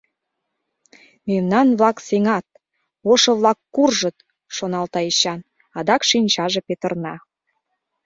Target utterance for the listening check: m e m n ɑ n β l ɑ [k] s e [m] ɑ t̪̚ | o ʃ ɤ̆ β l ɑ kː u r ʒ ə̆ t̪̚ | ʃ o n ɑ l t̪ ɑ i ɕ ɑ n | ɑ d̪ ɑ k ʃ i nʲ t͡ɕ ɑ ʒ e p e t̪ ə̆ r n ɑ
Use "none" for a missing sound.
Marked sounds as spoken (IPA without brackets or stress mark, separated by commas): k, ŋ